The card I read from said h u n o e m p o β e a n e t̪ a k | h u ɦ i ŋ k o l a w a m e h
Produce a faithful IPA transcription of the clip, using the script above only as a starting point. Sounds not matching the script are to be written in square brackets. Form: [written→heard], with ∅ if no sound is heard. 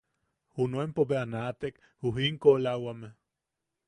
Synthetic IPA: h u n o e m p o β e a n [e→a] t̪ [a→e] k | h u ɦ i ŋ k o l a w a m e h